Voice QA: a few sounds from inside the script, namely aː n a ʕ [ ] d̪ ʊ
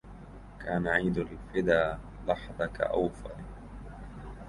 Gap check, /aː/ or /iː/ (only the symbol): iː